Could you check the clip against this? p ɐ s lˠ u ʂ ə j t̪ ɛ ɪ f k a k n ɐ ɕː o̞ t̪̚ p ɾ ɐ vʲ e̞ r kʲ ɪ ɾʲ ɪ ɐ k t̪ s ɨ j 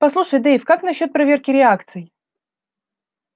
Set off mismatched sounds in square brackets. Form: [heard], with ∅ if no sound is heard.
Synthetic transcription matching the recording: p ɐ s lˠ u ʂ ə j [d̪] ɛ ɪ f k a k n ɐ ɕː o̞ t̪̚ p ɾ ɐ vʲ e̞ r kʲ ɪ ɾʲ ɪ [a] k t̪ s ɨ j